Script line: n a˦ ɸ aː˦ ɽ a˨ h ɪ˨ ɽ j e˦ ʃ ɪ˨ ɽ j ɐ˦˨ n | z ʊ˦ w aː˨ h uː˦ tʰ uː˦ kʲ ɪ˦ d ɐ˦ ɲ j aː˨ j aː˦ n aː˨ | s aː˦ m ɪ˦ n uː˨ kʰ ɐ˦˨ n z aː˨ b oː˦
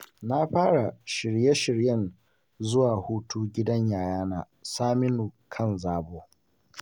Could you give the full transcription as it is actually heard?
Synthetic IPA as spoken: n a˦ ɸ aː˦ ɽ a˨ ʃ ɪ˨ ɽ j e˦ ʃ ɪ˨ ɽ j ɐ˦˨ n | z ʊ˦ w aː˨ h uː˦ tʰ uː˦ ɡʲ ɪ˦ d ɐ˦ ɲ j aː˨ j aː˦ n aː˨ | s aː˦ m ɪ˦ n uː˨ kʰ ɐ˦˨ n z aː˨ b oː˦

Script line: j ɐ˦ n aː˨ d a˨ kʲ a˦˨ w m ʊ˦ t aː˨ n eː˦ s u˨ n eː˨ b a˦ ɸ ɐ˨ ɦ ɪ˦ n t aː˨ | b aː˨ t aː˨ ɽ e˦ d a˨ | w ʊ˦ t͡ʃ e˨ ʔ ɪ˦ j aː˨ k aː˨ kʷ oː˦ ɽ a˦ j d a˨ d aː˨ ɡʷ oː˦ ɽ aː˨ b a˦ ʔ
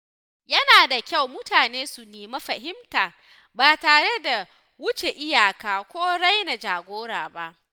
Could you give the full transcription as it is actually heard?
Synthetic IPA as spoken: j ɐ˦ n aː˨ d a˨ kʲ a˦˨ w m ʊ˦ t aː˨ n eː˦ s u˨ n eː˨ m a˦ ɸ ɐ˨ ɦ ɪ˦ m t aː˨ | b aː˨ t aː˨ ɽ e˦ d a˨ | w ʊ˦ t͡ʃ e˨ ʔ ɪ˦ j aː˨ k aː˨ kʷ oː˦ ɽ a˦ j n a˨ d͡ʒ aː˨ ɡʷ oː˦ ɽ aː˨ b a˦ ʔ

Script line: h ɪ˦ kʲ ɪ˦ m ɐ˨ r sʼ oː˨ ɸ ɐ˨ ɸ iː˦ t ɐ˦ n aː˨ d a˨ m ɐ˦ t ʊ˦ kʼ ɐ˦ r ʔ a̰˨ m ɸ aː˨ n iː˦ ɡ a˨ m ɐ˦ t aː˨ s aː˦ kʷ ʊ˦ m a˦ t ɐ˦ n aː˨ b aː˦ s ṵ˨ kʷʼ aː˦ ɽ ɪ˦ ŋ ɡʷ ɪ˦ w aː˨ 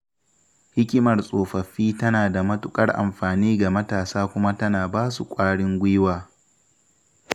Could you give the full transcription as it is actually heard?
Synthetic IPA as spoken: h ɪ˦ kʲ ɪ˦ m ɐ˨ r sʼ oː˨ ɸ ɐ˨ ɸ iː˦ t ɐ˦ n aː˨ d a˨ m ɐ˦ t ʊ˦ kʼ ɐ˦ r ʔ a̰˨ m ɸ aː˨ n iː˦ ɡ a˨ m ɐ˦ t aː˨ s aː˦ kʷ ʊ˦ m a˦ t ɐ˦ n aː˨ b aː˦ s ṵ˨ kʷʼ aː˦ ɽ ɪ˦ ŋ ɡʷ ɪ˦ w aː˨

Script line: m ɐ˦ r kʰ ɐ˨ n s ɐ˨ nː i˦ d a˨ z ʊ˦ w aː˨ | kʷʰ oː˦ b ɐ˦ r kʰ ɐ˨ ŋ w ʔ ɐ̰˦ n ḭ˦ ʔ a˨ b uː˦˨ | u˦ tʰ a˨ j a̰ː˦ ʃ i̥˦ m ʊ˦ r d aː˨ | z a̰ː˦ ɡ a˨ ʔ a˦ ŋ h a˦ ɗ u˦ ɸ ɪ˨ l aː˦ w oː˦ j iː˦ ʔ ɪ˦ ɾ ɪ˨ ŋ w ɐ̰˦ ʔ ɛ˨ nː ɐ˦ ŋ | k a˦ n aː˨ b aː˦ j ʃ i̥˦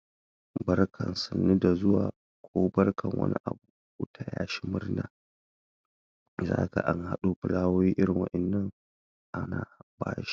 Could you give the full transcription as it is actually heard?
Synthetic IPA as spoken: b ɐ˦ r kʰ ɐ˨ n s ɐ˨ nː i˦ d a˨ z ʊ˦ w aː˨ | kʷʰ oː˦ b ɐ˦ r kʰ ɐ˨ ŋ w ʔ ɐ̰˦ n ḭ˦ ʔ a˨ b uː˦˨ | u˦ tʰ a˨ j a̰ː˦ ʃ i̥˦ m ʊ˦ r n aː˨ | z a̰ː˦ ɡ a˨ ʔ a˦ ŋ h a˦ ɗ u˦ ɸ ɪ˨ l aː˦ w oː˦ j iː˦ ʔ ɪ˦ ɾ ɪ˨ ŋ w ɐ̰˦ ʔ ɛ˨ nː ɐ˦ ŋ | ʔ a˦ n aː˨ b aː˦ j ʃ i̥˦

